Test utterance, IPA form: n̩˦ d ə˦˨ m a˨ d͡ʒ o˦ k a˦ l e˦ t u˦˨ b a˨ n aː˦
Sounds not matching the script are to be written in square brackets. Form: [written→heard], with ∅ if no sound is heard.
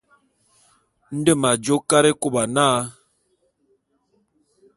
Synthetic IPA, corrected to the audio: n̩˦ d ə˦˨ m a˨ d͡ʒ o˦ k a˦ [l→ɾ] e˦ [t→k] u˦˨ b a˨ n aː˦